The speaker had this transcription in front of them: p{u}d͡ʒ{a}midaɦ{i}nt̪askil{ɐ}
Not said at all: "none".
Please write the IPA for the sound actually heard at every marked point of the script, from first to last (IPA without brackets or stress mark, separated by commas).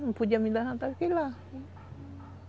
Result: u, a, a, a